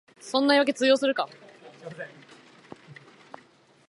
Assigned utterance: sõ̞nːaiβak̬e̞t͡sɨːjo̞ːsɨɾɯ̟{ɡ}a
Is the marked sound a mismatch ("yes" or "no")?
yes